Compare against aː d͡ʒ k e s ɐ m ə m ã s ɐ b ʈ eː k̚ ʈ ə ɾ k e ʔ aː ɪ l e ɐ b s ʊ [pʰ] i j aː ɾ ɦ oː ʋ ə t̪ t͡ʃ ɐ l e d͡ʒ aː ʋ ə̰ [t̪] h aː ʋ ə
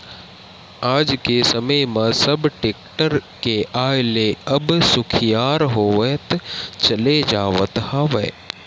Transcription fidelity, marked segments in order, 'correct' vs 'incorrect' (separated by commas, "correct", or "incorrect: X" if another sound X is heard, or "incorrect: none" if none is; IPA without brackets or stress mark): incorrect: kʰ, correct